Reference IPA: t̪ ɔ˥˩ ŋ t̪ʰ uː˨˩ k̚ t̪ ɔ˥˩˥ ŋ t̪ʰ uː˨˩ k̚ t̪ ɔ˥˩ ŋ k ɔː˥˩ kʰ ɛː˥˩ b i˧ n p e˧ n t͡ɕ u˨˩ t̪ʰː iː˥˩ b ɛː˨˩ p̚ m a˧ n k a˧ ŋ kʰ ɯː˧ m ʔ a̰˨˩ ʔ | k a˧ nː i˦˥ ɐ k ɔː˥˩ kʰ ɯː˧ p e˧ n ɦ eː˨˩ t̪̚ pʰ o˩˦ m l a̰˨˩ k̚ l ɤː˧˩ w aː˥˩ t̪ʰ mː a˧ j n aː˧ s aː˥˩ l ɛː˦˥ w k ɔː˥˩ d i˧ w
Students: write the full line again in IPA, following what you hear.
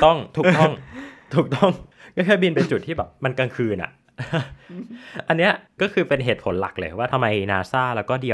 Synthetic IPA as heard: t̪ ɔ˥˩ ŋ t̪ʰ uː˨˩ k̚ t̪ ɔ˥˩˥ ŋ t̪ʰ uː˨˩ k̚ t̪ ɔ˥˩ ŋ k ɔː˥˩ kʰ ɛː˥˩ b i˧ n p e˧ n t͡ɕ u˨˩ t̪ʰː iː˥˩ b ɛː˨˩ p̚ m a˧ n k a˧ ŋ kʰ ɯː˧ n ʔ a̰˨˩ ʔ | ʔ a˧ nː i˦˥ ɐ k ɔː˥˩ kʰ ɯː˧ p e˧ n ɦ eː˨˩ t̪̚ pʰ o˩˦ n l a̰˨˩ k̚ l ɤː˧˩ w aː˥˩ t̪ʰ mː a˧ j n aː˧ s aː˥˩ l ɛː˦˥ w k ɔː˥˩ d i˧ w